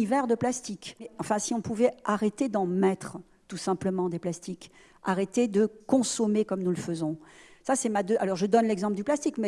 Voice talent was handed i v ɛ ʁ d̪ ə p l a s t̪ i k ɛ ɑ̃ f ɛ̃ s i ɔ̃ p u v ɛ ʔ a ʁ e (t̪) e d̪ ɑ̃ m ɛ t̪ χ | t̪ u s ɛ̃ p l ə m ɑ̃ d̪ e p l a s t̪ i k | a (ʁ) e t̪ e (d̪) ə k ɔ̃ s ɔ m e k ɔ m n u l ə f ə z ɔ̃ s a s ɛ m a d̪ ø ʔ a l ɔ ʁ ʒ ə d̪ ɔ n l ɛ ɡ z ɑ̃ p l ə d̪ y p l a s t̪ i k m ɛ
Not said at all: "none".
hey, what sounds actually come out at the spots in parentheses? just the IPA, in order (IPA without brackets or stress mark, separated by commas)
t̪, ʁ, d̪